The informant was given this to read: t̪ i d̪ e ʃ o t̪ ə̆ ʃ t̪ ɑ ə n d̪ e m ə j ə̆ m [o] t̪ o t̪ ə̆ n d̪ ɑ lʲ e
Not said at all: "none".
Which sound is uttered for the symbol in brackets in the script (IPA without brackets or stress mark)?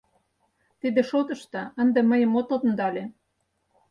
o